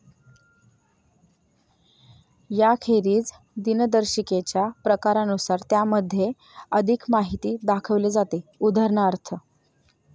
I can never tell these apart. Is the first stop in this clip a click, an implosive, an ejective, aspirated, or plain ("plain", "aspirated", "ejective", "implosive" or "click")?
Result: aspirated